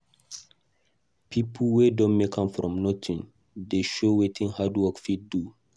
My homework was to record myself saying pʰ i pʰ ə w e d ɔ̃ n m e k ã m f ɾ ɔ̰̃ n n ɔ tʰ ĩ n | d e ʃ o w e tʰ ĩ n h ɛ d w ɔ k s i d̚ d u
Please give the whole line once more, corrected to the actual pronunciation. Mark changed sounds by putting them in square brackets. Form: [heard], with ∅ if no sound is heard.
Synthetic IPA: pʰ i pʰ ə w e d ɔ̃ n m e k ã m f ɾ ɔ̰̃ [m] n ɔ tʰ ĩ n | d e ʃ o w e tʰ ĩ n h [a] d w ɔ k [f] i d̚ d u

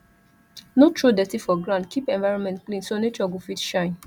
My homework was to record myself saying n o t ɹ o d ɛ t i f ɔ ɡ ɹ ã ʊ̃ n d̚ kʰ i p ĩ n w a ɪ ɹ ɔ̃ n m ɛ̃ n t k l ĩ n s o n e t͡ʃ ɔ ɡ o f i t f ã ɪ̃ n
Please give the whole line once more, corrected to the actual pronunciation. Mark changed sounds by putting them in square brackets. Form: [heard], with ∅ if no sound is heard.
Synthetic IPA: n o t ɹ o d ɛ t i f ɔ ɡ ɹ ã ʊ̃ n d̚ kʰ i p [ɛ̃] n [v] a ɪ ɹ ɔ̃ n m ɛ̃ n t k l ĩ n s o n e t͡ʃ ɔ ɡ o f i t [ʃ] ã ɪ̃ n

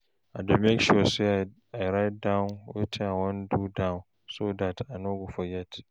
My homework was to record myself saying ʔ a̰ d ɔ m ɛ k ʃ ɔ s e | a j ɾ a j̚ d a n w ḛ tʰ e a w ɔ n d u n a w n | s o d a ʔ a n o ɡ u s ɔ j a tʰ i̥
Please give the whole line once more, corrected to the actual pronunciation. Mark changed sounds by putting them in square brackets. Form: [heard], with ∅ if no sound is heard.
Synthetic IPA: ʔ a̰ d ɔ m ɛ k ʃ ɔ s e | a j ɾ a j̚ d a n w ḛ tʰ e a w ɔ n d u [d] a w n | s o d a [t] a n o ɡ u [f] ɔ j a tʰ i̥

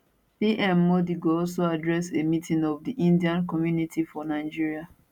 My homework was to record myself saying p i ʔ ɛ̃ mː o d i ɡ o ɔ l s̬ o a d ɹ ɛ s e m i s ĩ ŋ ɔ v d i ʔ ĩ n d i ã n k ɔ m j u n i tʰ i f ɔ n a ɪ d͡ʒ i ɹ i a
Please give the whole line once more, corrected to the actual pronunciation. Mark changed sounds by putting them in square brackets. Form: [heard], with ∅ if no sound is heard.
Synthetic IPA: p i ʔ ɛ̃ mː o d i ɡ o ɔ l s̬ o a d ɹ ɛ s e m i [t] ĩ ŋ ɔ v d i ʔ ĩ n d i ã n k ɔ m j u n i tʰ i f ɔ n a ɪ d͡ʒ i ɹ i a

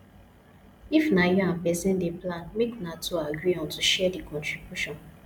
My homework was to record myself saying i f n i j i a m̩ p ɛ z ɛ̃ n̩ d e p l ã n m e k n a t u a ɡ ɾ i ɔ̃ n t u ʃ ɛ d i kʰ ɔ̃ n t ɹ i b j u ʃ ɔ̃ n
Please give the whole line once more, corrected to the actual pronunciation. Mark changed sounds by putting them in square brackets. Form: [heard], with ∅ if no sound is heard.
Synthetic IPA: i f n [a] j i a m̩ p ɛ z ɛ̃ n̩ d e p l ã n m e k n a t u a ɡ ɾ i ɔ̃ n t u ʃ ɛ d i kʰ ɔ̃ n t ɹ i b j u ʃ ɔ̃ n

